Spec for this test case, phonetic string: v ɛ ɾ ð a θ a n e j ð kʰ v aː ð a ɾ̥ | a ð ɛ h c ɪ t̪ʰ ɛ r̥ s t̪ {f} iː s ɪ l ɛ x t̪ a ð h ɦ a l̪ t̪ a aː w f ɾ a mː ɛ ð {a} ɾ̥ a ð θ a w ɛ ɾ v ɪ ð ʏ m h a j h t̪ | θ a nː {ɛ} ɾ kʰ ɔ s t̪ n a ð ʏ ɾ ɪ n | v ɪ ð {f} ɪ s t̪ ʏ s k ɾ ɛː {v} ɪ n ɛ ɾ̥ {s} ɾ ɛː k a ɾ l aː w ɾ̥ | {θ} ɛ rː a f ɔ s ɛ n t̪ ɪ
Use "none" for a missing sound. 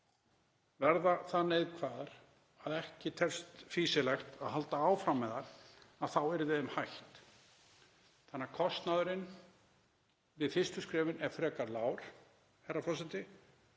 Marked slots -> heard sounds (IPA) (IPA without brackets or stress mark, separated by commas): f, a, a, f, v, f, h